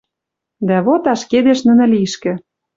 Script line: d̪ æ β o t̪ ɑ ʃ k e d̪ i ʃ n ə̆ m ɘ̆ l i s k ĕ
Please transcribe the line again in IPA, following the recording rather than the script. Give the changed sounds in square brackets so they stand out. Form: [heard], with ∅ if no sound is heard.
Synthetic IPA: d̪ æ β o t̪ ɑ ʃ k e d̪ [e] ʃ n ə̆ [n] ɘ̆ l i [ʃ] k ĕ